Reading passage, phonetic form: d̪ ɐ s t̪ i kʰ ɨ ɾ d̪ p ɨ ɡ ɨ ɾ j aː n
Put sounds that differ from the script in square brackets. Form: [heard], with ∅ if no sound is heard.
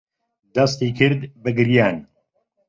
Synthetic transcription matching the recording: d̪ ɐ s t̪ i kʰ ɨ ɾ d̪ [b] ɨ ɡ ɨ ɾ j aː n